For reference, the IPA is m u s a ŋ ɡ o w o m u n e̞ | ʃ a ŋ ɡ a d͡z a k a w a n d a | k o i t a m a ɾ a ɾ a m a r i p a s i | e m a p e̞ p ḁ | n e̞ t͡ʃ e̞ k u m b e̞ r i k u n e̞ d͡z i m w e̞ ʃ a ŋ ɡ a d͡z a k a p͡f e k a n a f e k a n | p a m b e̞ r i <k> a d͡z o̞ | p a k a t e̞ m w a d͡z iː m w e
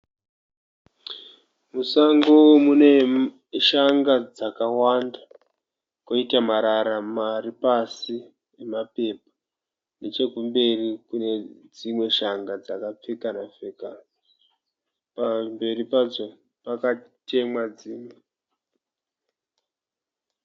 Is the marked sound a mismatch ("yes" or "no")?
yes